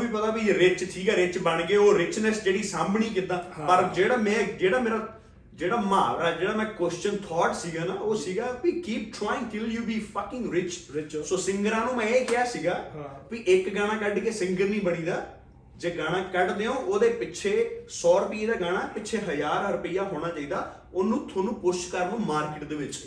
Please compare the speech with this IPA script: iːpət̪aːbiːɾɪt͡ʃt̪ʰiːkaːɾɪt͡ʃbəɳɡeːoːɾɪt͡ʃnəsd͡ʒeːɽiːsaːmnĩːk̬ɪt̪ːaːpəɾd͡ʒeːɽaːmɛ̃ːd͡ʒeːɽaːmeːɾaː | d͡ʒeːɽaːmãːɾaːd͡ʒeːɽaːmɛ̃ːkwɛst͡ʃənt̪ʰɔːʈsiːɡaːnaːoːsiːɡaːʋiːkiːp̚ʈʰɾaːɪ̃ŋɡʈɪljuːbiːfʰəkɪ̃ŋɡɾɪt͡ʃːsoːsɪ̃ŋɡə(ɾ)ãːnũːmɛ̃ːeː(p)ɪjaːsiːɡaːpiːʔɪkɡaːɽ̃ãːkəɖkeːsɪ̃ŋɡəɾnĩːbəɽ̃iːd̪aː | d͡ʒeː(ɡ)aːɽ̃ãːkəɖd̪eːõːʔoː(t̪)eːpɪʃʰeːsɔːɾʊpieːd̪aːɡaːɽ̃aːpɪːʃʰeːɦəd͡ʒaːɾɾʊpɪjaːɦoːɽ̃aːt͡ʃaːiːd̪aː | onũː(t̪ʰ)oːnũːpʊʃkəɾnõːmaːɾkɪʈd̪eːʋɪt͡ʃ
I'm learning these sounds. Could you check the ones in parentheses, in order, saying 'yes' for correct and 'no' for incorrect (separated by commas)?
yes, no, yes, no, yes